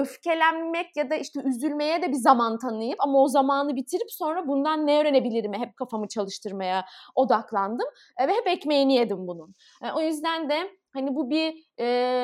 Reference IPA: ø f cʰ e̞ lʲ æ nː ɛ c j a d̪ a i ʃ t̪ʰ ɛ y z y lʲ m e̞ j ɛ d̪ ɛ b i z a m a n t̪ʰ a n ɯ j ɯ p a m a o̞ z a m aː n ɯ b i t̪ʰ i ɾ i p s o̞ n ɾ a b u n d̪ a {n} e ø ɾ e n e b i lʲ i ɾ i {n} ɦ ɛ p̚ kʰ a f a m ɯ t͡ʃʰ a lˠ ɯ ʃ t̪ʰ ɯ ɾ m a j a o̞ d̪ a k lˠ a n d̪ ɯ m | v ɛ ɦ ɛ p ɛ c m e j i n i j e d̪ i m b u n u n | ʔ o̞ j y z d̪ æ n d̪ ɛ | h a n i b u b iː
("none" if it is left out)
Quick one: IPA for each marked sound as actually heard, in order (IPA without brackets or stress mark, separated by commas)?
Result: nː, m